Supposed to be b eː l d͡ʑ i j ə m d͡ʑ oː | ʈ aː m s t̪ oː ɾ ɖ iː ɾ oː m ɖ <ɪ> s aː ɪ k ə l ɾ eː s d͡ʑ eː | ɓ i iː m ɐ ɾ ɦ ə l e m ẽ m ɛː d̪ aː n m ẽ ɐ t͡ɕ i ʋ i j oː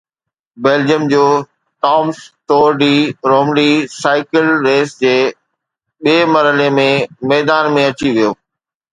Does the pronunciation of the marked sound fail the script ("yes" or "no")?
yes